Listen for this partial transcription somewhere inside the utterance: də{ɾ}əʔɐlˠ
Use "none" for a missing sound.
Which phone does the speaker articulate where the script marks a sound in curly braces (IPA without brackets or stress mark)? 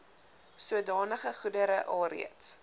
ɾ